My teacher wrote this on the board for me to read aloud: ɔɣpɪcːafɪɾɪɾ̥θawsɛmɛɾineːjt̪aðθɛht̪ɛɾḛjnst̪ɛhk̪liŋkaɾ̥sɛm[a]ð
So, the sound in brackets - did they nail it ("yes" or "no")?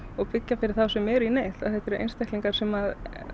yes